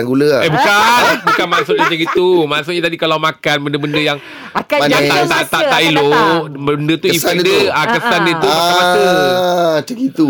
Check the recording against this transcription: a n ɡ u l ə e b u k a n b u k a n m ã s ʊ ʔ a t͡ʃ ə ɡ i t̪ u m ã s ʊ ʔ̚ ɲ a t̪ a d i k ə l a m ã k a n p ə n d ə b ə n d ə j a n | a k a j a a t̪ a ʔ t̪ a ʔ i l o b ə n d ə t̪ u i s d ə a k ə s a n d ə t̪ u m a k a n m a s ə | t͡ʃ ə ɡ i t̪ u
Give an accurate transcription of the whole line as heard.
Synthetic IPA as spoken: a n ɡ u l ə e b u k a n b u k a n m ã s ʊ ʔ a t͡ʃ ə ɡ i t̪ u m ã s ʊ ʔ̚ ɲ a t̪ a d i k a l a m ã k a n b ə n d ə b ə n d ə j a ŋ | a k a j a a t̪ a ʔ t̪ a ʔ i l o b ə n d ə t̪ u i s d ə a k ə s a n d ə t̪ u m a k a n m a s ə | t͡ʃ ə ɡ i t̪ u